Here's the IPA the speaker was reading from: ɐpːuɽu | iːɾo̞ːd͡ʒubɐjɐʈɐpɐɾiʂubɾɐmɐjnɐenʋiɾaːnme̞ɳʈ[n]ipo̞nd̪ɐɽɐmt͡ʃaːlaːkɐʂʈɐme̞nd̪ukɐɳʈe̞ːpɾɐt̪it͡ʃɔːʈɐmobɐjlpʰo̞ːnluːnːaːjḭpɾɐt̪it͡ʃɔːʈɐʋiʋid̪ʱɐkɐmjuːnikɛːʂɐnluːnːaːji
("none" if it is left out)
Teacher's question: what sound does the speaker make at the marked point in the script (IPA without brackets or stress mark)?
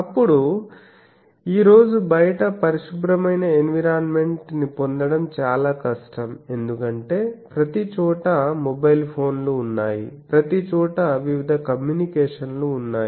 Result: n